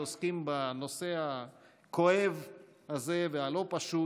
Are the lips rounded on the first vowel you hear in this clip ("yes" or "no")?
yes